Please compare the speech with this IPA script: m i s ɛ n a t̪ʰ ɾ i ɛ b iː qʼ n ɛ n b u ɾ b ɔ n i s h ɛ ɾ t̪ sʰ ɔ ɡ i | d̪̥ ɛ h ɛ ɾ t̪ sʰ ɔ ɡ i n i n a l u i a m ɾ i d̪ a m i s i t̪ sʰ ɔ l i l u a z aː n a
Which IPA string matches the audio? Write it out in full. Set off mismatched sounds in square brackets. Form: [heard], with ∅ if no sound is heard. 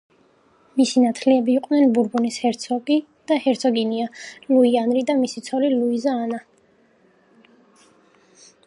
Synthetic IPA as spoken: m i s [i] n a t̪ʰ [l] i ɛ b iː qʼ n ɛ n b u ɾ b [u] n i s h ɛ ɾ t̪ sʰ ɔ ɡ i | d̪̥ [a] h ɛ ɾ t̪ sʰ ɔ ɡ i n i [∅] a l u i a [n] ɾ i d̪ a m i s i t̪ sʰ ɔ l i l u [i] z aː n a